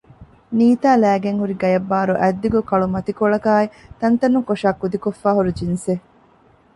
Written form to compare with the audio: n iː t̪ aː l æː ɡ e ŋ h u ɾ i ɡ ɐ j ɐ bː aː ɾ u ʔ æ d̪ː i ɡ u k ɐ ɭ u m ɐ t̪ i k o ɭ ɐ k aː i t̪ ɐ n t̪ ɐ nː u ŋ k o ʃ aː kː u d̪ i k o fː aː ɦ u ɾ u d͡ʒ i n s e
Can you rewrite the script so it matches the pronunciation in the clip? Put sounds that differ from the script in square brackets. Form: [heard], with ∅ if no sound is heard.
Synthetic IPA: n iː t̪ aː l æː ɡ e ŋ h u ɾ i ɡ ɐ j ɐ bː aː ɾ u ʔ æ d̪ː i ɡ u k ɐ ɭ u m ɐ t̪ i k o ɭ ɐ k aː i t̪ ɐ n t̪ ɐ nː u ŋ k o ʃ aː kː u d̪ i k o fː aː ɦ u ɾ u d͡ʒ i n s e